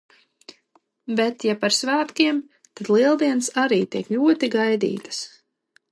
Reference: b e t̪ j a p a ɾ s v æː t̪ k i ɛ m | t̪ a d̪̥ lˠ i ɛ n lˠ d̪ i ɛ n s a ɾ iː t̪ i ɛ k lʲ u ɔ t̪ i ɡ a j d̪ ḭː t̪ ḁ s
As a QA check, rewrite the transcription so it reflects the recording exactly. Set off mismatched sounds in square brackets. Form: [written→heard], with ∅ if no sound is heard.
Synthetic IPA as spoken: b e t̪ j a p a ɾ s v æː t̪ k i ɛ m | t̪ a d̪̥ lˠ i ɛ [n→∅] lˠ d̪ i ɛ n s a ɾ iː t̪ i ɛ k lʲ u ɔ t̪ i ɡ a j d̪ ḭː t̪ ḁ s